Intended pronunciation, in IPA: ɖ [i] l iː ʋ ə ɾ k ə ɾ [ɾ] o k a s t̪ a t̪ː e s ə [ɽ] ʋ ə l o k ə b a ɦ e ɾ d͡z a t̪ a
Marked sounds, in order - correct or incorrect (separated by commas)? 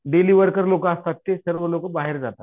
incorrect, incorrect, incorrect